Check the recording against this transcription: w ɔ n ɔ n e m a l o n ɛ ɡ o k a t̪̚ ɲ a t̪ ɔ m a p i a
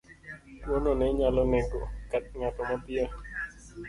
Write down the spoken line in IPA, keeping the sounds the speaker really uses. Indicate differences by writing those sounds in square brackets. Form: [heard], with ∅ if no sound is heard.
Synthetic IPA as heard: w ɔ n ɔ n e [ɲ] a l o n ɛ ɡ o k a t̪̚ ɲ a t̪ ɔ m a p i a